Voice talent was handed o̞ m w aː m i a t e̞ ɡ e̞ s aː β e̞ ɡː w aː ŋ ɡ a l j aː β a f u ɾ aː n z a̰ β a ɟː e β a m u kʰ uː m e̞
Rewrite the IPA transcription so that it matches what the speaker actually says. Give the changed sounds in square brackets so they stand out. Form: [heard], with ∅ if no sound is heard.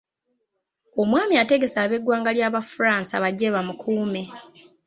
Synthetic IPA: o̞ m w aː m i a t e̞ ɡ e̞ s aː β e̞ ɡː w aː ŋ ɡ a l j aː β a f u ɾ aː n [s] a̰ β a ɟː e β a m u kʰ uː m e̞